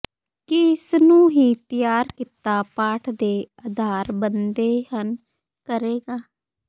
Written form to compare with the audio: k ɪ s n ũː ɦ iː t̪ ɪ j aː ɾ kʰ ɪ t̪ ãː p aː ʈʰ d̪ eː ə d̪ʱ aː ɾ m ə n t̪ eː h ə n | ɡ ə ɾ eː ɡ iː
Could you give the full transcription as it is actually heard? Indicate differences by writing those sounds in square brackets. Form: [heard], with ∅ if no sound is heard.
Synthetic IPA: k ɪ s n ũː ɦ iː t̪ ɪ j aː ɾ [k] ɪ t̪ [aː] p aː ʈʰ d̪ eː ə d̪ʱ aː ɾ [b] ə n [d̪] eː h ə n | [k] ə ɾ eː ɡ [aː]